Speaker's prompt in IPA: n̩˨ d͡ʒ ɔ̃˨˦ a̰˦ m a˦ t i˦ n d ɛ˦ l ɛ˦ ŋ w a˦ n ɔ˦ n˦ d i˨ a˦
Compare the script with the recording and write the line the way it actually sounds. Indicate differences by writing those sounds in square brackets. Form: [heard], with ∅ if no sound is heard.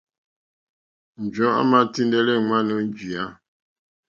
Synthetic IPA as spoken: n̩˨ d͡ʒ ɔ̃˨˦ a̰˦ m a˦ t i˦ n d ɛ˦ l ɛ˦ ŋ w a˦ n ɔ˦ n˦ [d͡ʒ] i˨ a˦